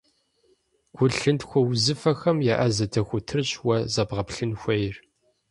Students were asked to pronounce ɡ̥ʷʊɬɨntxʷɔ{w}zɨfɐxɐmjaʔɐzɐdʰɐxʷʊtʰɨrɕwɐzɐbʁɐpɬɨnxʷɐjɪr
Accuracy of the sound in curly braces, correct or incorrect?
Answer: correct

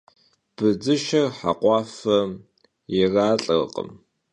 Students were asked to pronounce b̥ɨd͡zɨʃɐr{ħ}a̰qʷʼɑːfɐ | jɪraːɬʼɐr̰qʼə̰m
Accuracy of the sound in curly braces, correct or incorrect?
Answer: correct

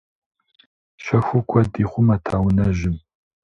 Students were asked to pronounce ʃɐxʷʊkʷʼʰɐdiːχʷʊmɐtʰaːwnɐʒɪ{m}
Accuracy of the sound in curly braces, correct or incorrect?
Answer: correct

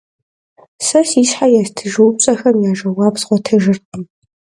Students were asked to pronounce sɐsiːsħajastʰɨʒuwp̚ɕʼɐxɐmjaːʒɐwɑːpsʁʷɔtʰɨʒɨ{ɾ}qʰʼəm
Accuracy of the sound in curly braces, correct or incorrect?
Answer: incorrect: r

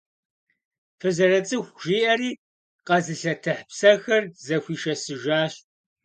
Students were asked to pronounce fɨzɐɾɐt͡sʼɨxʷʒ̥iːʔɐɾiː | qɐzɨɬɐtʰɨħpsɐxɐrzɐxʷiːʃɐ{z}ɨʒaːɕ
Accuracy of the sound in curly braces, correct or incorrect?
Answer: incorrect: s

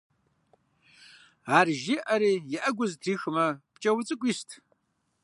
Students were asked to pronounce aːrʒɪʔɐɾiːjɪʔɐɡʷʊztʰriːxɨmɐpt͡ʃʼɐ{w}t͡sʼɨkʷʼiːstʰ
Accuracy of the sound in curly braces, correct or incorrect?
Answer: correct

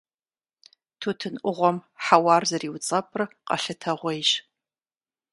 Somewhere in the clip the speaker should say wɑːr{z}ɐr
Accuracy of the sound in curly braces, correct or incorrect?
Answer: correct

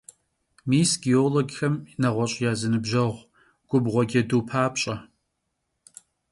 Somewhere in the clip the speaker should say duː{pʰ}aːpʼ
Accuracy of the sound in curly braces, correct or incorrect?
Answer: correct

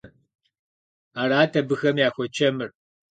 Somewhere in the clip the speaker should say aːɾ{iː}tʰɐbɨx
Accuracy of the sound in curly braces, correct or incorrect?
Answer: incorrect: aː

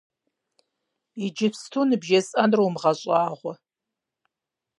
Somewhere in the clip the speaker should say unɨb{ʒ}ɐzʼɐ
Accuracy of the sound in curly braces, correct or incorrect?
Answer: correct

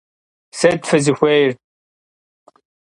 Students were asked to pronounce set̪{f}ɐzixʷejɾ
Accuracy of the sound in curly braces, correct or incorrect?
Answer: correct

